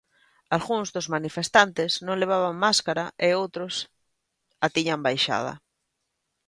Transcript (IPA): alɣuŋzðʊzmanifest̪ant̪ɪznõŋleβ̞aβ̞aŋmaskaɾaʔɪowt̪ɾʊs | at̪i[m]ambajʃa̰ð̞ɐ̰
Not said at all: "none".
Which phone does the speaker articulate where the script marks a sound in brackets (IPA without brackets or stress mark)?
ɲ